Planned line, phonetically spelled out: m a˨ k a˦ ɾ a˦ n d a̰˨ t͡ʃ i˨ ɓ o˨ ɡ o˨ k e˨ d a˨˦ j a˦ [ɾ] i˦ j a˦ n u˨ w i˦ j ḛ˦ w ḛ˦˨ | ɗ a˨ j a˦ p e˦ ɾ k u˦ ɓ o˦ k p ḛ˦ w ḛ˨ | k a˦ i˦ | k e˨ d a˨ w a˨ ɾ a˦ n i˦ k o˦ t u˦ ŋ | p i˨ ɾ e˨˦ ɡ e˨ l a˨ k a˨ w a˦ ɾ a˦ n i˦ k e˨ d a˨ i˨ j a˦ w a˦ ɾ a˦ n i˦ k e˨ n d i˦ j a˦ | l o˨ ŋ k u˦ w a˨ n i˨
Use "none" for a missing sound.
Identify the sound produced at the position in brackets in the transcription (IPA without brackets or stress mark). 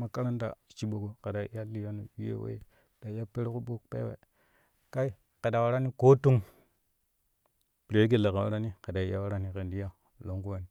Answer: l